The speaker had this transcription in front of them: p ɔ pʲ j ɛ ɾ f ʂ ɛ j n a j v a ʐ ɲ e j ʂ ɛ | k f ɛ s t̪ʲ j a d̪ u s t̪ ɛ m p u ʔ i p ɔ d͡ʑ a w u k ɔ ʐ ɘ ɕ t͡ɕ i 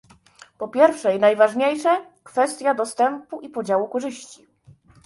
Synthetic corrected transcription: p ɔ pʲ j ɛ ɾ f ʂ ɛ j n a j v a ʐ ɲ e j ʂ ɛ | k f ɛ s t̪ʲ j a d̪ ɔ s t̪ ɛ m p u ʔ i p ɔ d͡ʑ a w u k ɔ ʐ ɘ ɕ t͡ɕ i